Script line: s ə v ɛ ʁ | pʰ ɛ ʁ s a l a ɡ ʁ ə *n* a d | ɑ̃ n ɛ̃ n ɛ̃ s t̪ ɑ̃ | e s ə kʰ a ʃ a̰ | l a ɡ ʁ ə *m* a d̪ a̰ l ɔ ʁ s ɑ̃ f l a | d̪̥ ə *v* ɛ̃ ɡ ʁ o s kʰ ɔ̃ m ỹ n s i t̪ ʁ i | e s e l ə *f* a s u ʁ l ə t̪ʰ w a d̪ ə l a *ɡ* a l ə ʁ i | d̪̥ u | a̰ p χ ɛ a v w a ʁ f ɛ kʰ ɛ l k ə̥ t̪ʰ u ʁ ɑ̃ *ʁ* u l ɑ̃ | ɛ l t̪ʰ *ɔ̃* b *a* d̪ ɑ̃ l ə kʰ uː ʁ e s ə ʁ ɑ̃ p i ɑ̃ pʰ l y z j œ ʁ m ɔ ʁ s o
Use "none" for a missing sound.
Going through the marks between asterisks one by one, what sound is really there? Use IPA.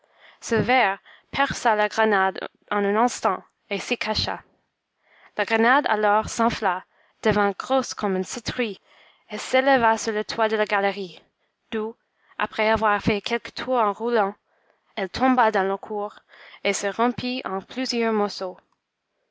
n, n, v, v, ɡ, ʁ, ɔ̃, a

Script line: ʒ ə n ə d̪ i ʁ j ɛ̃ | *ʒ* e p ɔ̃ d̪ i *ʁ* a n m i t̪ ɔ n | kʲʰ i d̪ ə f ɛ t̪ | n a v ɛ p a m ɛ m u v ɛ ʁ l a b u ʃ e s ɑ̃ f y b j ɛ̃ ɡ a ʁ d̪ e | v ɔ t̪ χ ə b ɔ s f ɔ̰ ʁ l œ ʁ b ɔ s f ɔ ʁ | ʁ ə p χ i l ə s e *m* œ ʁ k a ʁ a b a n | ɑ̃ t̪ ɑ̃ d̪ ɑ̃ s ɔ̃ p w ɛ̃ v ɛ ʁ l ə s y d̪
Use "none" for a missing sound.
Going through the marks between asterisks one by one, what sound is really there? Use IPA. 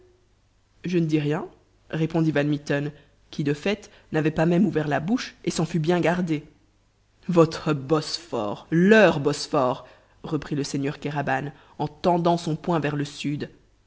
ʁ, v, ɲ

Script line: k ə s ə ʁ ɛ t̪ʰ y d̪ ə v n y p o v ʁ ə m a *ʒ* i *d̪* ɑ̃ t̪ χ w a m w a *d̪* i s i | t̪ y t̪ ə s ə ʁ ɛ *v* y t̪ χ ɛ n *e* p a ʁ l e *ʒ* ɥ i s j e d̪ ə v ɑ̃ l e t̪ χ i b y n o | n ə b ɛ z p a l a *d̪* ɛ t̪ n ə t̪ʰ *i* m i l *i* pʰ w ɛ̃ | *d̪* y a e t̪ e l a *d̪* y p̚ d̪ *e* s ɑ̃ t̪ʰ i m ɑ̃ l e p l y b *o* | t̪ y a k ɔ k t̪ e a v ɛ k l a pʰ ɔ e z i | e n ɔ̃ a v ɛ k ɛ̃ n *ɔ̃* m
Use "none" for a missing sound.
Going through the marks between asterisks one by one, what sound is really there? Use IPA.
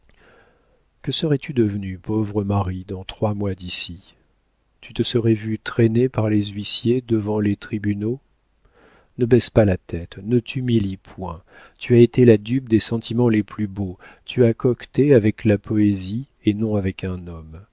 ʁ, d̪, d̪, v, e, z, t̪, y, i, t̪, d̪, e, o, ɔ

